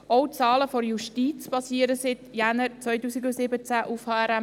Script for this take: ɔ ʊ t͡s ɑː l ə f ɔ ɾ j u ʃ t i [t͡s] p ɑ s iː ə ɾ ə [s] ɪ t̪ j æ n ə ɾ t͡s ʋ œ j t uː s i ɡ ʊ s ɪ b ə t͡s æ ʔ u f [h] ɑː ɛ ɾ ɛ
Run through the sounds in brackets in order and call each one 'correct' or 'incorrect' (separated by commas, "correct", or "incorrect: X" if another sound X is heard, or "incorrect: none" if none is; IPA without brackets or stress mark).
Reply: correct, correct, correct